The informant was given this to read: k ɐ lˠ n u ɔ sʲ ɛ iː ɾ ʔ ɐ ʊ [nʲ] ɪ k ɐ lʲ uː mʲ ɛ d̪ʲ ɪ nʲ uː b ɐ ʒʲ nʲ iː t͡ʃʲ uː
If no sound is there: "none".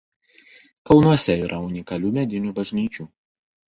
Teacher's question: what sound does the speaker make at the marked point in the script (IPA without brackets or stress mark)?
nʲ